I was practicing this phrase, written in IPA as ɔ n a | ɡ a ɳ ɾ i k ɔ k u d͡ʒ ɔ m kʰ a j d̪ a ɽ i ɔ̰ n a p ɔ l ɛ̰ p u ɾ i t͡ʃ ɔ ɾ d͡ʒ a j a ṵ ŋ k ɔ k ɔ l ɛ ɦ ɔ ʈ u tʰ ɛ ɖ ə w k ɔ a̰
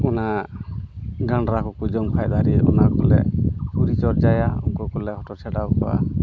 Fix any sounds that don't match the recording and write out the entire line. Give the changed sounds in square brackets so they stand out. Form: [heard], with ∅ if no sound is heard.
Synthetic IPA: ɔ n a | ɡ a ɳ ɾ [a] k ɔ k u d͡ʒ ɔ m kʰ a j d̪ a [ɾ] i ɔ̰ n a [k] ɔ l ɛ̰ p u ɾ i t͡ʃ ɔ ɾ d͡ʒ a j a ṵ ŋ k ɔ k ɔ l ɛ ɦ ɔ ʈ [ɔ] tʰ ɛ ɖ [a] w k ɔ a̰